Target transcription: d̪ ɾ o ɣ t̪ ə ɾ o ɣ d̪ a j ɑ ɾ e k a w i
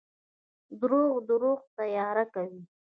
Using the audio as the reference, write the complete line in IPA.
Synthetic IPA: d̪ ɾ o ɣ d̪ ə ɾ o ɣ t̪ a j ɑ ɾ a k a w i